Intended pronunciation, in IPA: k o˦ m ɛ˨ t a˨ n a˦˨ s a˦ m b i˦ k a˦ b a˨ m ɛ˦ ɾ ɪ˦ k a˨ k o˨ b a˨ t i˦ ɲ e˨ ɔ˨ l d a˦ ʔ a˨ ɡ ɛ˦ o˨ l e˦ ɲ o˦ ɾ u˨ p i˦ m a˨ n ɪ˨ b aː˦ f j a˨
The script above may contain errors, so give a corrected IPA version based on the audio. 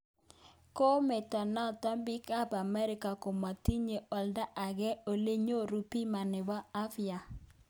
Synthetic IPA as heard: k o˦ m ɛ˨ t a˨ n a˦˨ t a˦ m b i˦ k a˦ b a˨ m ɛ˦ ɾ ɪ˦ k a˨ k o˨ m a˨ t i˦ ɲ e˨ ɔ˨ l d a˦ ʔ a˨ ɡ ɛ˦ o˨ l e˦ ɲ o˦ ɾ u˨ p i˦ m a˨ n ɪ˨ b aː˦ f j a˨

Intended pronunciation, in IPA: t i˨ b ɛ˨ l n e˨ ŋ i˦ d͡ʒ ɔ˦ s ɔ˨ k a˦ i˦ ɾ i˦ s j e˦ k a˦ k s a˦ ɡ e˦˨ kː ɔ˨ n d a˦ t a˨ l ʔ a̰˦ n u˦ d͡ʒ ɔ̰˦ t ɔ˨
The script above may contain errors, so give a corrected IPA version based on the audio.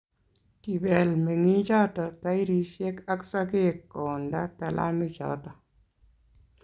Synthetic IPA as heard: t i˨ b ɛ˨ l m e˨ ŋ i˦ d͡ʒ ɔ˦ t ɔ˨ t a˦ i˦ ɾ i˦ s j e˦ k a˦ k s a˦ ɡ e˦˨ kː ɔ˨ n d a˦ t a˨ l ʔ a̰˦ n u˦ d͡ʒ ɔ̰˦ t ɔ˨

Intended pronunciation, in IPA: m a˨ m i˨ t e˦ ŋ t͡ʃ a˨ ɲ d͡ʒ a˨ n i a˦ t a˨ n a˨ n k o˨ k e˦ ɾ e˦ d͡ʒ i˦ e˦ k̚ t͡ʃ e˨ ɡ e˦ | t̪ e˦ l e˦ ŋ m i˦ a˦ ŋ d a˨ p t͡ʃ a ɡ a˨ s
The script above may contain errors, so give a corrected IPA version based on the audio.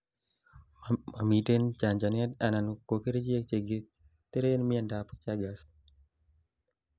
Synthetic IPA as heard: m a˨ m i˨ t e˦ n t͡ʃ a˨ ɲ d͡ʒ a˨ n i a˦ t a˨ n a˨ n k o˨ k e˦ ɾ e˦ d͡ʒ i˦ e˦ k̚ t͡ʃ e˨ ɡ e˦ | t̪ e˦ ɾ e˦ n m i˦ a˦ n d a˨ p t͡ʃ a ɡ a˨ s

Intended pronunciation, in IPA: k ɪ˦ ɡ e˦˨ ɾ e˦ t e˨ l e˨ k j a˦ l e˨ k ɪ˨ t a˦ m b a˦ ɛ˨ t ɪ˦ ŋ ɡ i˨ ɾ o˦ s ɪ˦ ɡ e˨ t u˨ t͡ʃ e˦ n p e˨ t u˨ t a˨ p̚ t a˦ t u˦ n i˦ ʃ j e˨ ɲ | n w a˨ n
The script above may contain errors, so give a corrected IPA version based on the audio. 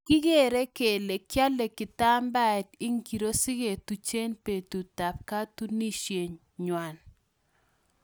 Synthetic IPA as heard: k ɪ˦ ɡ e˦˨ ɾ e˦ k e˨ l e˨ k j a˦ l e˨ k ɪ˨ t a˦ m b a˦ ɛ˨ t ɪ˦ ŋ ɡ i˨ ɾ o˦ s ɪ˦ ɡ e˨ t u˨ t͡ʃ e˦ n p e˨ t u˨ t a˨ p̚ k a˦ t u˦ n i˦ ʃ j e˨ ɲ | ɲ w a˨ n

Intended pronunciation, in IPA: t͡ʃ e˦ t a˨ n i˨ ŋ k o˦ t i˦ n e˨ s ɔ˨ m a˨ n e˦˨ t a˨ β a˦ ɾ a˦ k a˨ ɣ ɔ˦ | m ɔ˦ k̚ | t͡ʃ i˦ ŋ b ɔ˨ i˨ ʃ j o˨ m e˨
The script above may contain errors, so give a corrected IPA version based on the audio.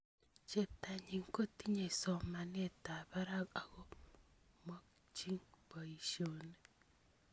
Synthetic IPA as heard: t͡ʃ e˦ t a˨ ɲ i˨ ŋ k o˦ t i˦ ɲ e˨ s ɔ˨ m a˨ n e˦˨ t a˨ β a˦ ɾ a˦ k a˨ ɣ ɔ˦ | m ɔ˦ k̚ | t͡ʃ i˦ ŋ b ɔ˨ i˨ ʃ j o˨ n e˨

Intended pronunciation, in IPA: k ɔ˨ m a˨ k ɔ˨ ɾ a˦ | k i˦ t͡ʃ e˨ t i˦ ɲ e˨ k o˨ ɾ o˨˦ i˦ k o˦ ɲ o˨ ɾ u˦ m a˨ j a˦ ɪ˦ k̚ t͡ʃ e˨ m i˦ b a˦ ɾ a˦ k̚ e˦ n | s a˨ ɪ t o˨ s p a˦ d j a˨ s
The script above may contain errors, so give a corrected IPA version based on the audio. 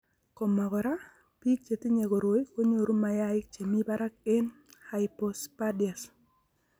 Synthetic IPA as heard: k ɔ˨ m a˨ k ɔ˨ ɾ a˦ | p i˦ t͡ʃ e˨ t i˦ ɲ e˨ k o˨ ɾ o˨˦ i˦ k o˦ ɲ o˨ ɾ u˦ m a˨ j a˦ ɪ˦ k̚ t͡ʃ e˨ m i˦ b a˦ ɾ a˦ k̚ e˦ n | h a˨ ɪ p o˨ s p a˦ d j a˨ s

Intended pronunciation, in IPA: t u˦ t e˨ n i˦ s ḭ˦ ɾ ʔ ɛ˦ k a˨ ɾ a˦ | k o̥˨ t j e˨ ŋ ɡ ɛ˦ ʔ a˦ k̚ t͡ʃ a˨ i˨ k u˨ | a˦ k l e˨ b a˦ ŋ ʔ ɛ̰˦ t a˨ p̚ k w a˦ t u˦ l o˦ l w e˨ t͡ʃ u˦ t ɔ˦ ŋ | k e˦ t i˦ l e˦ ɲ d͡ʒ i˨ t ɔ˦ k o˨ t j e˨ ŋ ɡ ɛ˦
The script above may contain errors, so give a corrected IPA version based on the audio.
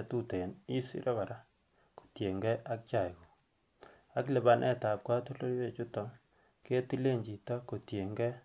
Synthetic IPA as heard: t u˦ t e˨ n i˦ s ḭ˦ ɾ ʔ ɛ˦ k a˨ ɾ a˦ | k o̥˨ t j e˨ ŋ ɡ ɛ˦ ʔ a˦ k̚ t͡ʃ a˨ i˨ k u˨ | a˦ k l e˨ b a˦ n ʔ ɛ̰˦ t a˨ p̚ k w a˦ t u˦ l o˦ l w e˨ t͡ʃ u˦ t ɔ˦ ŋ | k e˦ t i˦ l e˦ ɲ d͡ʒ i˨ t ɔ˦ k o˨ t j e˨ ŋ ɡ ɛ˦

